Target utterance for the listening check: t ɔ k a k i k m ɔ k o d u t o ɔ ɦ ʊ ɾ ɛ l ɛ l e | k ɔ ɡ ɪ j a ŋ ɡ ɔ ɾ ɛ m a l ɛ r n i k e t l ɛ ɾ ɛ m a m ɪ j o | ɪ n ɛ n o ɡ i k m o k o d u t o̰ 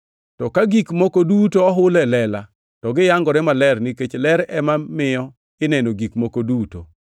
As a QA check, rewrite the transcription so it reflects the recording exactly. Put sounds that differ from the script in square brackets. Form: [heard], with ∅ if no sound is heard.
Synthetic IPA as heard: t ɔ k a [ɡ] i k m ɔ k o d u t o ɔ ɦ ʊ [l] ɛ l ɛ l [a] | [t] ɔ ɡ ɪ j a ŋ ɡ ɔ ɾ ɛ m a l ɛ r n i k e [t͡ʃ] l ɛ ɾ ɛ m a m ɪ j [ɔ] | ɪ n ɛ n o ɡ i k m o k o d u t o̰